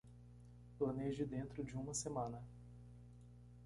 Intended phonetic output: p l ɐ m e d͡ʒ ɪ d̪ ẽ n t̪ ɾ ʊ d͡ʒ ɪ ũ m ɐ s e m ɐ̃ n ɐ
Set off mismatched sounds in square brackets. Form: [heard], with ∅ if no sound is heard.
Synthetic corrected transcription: p l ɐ [n] e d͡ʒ ɪ d̪ ẽ n t̪ ɾ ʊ d͡ʒ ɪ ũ m ɐ s e m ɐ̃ n ɐ

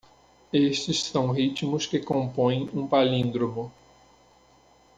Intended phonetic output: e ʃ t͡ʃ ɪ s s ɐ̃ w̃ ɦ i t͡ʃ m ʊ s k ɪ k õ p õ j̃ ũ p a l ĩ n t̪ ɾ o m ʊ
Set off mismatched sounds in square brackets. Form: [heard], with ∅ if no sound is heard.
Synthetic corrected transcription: e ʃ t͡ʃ ɪ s s ɐ̃ w̃ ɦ i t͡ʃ m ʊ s k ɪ k õ p õ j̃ ũ p a l ĩ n [d̪] ɾ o m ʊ

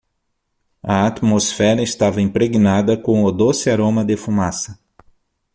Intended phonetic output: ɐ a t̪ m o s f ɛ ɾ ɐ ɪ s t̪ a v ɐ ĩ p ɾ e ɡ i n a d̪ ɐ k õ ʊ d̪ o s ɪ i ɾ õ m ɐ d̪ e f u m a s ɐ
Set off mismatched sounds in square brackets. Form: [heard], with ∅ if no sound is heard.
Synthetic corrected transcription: ɐ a t̪ m o s f ɛ ɾ ɐ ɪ s t̪ a v ɐ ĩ p ɾ e ɡ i n a d̪ ɐ k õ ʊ d̪ o s ɪ [a] ɾ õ m ɐ d̪ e f u m a s ɐ

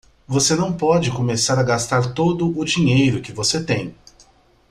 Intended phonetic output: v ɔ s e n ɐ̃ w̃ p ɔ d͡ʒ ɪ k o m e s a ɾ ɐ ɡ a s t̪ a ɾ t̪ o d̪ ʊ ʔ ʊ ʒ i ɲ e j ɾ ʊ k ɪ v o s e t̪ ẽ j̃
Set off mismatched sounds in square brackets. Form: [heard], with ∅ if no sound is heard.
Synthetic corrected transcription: v [o] s e n ɐ̃ w̃ p ɔ d͡ʒ ɪ k o m e s a ɾ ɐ ɡ a s t̪ a ɾ t̪ o d̪ ʊ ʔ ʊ [d͡ʒ] i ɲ e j ɾ ʊ k ɪ v o s e t̪ ẽ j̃

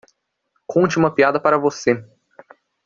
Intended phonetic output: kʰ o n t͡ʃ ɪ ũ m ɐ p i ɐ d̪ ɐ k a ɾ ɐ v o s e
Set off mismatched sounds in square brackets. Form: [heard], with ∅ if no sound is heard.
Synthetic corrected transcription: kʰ [õ] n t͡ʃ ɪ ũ m ɐ p i [a] d̪ ɐ [p] a ɾ ɐ v o s e

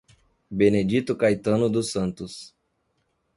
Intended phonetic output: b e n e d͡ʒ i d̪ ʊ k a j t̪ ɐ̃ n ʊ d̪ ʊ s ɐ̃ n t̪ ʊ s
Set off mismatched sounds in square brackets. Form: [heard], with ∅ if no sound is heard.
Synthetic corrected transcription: b e n e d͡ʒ i [t̪] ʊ k a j t̪ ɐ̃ n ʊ d̪ ʊ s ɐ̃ n t̪ ʊ s

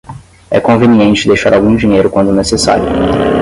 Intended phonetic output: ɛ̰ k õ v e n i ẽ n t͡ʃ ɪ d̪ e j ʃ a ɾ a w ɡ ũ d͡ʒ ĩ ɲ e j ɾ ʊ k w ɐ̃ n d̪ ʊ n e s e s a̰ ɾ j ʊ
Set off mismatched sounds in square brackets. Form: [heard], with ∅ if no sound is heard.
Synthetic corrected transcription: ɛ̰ k õ v e n i ẽ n t͡ʃ ɪ d̪ e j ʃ a ɾ a w ɡ ũ d͡ʒ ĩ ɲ e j ɾ ʊ k w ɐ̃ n d̪ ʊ n e s e s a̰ ɾ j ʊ

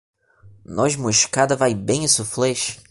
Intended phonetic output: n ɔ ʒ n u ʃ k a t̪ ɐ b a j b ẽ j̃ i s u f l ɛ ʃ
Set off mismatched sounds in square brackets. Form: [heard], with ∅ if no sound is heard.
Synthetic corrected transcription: n ɔ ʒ [m] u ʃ k a [d̪] ɐ [v] a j b ẽ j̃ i s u f l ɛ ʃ

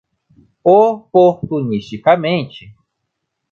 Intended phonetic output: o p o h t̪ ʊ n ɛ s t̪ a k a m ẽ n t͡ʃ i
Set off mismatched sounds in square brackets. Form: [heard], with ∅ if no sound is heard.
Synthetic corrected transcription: o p o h t̪ [u] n [i] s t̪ [i] k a m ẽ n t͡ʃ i

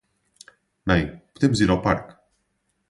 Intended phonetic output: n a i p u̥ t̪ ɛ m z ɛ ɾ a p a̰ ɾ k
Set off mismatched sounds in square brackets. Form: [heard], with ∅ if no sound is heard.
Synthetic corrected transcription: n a [j] p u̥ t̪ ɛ m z [i] ɾ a p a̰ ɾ k

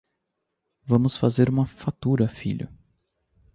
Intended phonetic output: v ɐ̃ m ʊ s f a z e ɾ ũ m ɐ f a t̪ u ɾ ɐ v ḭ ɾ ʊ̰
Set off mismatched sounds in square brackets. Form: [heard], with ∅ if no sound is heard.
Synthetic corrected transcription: v ɐ̃ m ʊ s f a z e ɾ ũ m ɐ f a t̪ u ɾ ɐ [f] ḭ [ʎ] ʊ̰

